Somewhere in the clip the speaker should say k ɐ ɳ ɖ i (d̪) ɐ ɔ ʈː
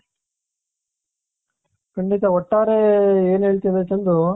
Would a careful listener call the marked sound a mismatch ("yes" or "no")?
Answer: yes